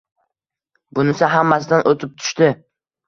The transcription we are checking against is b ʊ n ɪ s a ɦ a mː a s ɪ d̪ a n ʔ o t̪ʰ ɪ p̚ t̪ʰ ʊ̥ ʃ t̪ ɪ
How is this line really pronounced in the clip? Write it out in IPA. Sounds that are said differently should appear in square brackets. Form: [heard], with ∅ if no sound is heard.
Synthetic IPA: b ʊ n ɪ s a ɦ a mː a s ɪ d̪ a n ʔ o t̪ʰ ɪ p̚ t̪ʰ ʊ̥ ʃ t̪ ɪ